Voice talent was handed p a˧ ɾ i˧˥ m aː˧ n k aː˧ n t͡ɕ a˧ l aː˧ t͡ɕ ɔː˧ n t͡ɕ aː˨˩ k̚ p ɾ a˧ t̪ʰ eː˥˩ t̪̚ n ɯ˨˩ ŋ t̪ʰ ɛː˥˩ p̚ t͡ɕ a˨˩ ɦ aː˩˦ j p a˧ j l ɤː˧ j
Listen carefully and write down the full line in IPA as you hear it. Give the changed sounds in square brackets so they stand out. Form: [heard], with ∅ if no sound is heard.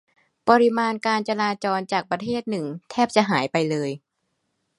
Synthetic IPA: p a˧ ɾ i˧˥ m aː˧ n k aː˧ n t͡ɕ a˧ l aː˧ t͡ɕ ɔː˧ n t͡ɕ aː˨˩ k̚ p ɾ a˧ t̪ʰ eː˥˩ t̪̚ n ɯ˨˩ ŋ t̪ʰ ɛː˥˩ p̚ t͡ɕ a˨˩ ɦ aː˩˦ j p a˧ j l ɤː˧ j